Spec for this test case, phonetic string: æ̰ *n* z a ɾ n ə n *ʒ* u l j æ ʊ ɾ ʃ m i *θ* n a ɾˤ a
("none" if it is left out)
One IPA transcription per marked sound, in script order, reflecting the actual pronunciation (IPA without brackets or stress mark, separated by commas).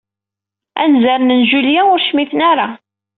n, ʒ, θ